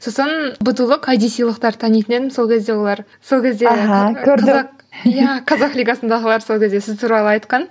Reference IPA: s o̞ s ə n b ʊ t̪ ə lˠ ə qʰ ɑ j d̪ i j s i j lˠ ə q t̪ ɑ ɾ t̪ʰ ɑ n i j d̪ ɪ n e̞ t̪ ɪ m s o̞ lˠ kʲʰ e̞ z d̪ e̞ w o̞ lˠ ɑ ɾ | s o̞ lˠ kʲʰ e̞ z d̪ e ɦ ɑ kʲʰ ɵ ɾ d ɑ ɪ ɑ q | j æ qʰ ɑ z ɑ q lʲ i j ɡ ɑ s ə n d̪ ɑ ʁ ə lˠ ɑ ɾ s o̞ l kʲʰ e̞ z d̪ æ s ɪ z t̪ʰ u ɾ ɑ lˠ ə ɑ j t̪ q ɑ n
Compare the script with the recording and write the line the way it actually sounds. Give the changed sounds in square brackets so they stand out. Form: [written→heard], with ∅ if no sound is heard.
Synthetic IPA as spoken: s o̞ s ə n b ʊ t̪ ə lˠ ə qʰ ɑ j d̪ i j s i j lˠ ə q t̪ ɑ ɾ t̪ʰ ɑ n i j [d̪→t̪] ɪ n e̞ [t̪→d̪] ɪ m s o̞ lˠ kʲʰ e̞ z d̪ e̞ w o̞ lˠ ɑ ɾ | s o̞ lˠ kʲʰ e̞ z d̪ e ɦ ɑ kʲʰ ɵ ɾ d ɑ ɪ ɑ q | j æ qʰ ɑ z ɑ q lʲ i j ɡ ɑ s ə n d̪ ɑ ʁ ə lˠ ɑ ɾ s o̞ l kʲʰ e̞ z d̪ [æ→e] s ɪ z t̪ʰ u ɾ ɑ lˠ ə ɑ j t̪ q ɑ n